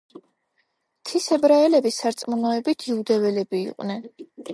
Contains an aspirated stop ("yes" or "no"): yes